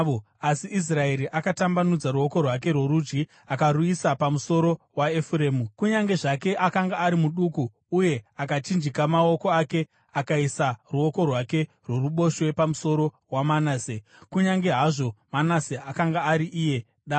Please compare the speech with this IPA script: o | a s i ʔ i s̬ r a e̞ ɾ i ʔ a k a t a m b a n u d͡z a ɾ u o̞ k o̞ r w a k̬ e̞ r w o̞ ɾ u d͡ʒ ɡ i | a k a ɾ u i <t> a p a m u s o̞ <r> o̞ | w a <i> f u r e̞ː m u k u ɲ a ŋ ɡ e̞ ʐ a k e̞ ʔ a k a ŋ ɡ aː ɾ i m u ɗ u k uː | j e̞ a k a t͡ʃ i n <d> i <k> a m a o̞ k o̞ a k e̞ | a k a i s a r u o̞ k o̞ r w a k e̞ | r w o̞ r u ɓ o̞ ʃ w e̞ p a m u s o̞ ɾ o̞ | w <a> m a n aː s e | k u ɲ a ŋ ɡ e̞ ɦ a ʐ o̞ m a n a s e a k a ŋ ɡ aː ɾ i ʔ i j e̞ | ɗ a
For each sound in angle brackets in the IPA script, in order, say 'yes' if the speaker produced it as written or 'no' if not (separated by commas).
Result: no, no, no, no, yes, yes